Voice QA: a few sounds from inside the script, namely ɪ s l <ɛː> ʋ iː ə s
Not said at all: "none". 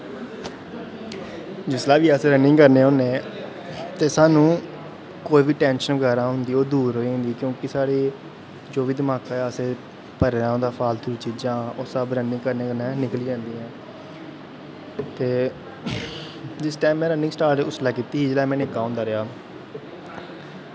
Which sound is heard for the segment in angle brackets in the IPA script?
aː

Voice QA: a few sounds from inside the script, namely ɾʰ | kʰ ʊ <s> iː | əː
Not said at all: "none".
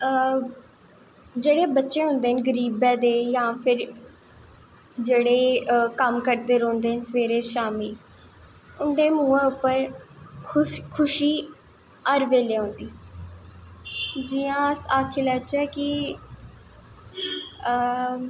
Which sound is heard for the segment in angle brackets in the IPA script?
ʃ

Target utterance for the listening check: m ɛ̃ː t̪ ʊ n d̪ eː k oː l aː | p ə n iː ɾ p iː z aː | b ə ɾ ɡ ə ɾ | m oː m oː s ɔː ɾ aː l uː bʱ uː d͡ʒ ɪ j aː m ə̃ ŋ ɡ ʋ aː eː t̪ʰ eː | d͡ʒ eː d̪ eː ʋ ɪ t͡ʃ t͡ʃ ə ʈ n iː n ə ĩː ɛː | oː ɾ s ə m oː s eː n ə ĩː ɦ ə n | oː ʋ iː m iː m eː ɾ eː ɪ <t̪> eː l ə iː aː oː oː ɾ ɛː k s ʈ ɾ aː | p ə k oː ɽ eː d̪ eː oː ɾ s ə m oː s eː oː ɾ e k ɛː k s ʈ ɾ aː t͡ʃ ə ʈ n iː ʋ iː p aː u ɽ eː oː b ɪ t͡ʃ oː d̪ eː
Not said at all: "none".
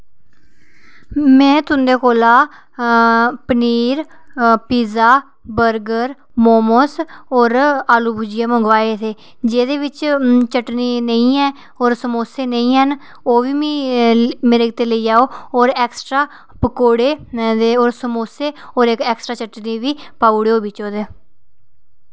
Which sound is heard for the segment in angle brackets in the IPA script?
t̪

